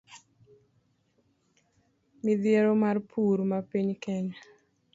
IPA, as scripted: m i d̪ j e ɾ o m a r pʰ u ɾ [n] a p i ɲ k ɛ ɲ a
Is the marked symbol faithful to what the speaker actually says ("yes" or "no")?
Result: no